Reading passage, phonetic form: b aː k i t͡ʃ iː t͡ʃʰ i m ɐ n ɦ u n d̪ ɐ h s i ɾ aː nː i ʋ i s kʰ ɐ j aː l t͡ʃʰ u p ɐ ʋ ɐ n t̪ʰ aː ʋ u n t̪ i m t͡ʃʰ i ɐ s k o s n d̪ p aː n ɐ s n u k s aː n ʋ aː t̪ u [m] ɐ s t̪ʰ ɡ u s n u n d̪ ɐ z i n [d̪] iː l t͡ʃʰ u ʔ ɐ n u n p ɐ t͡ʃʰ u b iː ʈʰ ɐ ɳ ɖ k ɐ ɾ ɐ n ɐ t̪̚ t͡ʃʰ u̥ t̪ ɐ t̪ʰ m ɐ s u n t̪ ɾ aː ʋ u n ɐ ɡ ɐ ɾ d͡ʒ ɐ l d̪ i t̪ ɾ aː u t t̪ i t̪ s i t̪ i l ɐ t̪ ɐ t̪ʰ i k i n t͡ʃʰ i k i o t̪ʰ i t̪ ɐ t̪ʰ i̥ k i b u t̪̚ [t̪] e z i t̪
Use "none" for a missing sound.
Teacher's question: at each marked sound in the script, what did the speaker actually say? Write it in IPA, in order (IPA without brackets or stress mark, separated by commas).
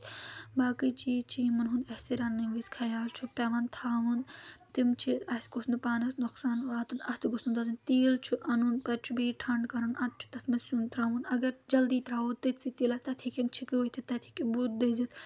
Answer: n, t̪, d̪